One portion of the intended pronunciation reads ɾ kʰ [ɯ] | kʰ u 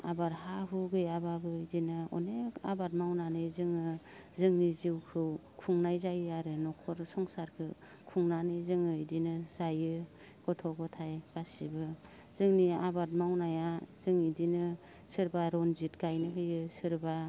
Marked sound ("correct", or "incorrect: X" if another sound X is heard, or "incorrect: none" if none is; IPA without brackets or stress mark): correct